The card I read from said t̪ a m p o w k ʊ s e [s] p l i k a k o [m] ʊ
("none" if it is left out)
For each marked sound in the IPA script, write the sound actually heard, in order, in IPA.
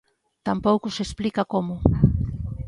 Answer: s, m

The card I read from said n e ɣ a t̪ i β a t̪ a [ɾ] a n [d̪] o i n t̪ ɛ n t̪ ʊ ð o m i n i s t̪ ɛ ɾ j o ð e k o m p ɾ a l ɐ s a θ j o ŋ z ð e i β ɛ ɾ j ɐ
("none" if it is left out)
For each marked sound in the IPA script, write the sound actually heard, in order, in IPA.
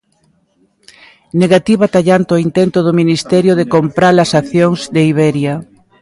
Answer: ʎ, t̪

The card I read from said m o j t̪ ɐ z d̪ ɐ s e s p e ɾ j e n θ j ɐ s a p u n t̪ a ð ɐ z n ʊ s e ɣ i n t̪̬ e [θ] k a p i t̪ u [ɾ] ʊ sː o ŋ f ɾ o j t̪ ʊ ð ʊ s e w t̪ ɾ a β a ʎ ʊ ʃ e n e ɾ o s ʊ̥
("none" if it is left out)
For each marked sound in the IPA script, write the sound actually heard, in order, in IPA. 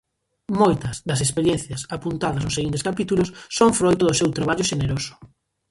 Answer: s, l

